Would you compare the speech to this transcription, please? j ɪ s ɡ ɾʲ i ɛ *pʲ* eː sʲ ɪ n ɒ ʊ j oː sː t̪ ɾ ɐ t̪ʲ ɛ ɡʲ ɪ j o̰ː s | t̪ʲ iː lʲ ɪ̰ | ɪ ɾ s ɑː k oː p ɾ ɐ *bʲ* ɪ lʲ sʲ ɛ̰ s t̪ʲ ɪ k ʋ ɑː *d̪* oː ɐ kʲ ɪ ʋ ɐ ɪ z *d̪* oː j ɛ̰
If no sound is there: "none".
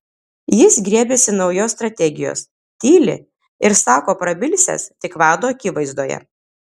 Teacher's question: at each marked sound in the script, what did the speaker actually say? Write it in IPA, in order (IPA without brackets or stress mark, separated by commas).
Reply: bʲ, bʲ, d̪, d̪